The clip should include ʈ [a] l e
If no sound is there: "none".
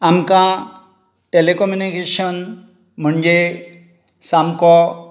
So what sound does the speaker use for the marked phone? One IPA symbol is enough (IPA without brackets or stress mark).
e